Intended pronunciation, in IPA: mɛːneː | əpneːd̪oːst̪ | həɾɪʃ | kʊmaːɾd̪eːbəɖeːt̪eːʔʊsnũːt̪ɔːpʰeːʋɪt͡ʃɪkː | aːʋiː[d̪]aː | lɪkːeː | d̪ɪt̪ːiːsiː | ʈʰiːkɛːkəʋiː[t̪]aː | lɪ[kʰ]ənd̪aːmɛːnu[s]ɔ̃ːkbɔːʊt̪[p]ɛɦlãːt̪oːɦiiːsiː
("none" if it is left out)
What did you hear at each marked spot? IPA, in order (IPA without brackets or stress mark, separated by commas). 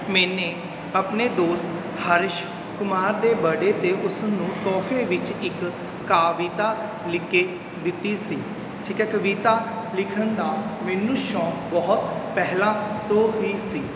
t̪, t̪, kʰ, ʃ, p